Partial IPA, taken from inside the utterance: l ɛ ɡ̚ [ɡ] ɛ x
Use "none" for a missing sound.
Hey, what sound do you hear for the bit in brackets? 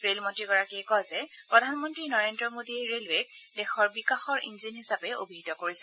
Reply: d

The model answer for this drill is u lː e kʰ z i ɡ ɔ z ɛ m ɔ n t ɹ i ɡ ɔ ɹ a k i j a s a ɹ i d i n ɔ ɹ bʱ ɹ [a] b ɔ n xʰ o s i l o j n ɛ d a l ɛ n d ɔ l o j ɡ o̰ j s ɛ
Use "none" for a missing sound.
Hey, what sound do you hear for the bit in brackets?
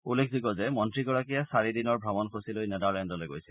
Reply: a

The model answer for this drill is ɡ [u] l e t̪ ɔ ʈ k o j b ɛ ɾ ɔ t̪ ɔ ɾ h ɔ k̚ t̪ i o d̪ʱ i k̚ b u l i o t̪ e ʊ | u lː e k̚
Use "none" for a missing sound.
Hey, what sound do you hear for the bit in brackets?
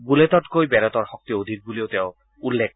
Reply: u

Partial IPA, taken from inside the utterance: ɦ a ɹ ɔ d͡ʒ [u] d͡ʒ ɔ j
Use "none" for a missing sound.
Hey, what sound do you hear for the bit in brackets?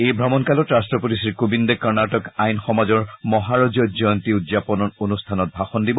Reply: ɔ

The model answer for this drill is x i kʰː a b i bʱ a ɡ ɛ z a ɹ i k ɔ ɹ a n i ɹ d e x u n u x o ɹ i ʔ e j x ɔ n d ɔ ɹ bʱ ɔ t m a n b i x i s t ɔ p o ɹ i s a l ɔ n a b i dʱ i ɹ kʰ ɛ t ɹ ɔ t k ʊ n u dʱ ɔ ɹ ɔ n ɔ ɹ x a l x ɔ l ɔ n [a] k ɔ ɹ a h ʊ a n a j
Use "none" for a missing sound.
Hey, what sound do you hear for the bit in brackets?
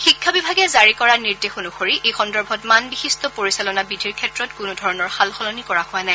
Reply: i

